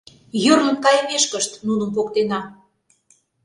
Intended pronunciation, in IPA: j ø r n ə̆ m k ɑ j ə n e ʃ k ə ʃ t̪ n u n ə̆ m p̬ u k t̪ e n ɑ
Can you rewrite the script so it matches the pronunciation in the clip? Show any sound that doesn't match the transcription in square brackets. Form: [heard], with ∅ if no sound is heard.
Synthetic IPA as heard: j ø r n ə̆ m k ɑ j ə [m] e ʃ k ə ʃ t̪ n u n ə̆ m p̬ [o] k t̪ e n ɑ

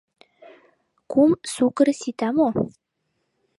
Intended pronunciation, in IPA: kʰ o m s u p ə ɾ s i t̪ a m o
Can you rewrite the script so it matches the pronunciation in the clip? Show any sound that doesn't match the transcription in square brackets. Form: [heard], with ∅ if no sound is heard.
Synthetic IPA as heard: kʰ [u] m s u [k] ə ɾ s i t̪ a m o

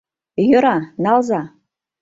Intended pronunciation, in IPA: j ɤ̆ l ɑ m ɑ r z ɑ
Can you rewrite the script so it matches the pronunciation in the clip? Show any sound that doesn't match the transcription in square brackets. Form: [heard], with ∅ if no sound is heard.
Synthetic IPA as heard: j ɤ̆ [ɾ] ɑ [n] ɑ [l] z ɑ

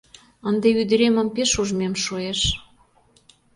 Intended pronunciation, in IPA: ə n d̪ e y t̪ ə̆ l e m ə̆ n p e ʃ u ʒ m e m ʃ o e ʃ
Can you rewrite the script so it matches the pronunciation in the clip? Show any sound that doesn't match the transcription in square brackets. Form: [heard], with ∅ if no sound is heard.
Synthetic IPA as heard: ə n d̪ e y [d̪] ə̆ [ɾ] e m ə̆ [m] p e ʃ u ʒ m e m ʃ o e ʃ

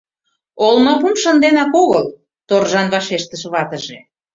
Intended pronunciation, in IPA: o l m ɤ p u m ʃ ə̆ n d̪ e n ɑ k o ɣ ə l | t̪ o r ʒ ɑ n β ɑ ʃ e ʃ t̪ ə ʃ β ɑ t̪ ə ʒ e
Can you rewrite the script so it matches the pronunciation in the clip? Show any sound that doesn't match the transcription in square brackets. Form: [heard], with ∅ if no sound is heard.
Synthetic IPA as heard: o l m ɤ p u m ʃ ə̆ n d̪ e n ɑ k o ɣ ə l | t̪ o r ʒ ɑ n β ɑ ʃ e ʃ t̪ ə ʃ β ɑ t̪ ə ʒ e

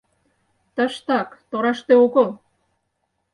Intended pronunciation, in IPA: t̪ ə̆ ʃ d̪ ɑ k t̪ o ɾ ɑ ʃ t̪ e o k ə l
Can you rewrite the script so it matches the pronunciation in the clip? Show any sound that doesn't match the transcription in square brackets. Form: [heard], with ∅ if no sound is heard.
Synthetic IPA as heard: t̪ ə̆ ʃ [t̪] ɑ k t̪ o ɾ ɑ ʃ t̪ e o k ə l

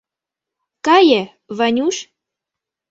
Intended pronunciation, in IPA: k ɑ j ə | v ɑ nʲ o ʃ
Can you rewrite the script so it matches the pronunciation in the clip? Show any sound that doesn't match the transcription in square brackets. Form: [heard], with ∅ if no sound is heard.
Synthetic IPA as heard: k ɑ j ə | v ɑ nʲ [u] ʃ

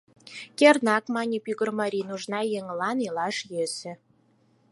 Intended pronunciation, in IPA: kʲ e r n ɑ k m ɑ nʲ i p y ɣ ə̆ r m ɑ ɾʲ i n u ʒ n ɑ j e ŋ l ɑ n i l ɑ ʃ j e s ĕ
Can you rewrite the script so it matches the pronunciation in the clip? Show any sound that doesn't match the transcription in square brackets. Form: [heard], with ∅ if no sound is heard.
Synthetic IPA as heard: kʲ e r n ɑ k m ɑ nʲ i p y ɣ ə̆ r m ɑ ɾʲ i n u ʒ n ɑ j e ŋ l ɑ n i l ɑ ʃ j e s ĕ

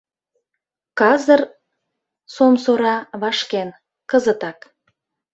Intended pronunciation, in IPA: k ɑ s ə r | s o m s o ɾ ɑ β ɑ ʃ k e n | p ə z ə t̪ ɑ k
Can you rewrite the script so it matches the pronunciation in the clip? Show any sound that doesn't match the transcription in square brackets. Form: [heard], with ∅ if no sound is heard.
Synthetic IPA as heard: k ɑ [z] ə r | s o m s o ɾ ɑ β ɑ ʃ k e n | [k] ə z ə t̪ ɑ k

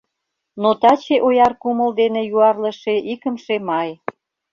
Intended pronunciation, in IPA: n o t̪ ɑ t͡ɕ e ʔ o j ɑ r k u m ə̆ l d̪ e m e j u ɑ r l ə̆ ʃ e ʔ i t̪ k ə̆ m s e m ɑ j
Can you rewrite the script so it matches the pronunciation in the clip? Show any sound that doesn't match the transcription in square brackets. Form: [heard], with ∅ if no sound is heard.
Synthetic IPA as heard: n o t̪ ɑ t͡ɕ e ʔ o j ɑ r k u m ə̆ l d̪ e [n] e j u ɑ r l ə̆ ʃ e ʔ i [∅] k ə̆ m [ʃ] e m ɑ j

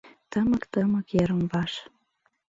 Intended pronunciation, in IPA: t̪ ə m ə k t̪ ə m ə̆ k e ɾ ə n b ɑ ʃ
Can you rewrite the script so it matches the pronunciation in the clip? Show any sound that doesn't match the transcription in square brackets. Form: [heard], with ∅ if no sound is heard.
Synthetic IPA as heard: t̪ ə m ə k t̪ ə m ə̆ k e ɾ ə [m] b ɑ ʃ

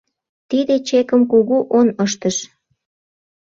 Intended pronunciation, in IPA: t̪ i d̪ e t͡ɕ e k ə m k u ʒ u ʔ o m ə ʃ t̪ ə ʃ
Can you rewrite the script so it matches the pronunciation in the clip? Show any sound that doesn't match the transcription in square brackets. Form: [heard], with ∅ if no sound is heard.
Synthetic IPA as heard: t̪ i d̪ e t͡ɕ e k ə m k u [ɣ] u ʔ o [n] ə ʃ t̪ ə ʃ

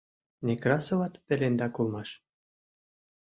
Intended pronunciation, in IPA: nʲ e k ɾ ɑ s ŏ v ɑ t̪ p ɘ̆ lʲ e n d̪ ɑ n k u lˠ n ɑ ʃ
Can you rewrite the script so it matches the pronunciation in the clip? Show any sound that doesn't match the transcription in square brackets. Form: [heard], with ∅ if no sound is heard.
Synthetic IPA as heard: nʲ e k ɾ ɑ s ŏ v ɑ t̪ p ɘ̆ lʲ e n d̪ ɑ [∅] k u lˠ [m] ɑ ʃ

